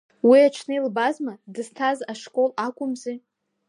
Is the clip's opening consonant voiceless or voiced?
voiced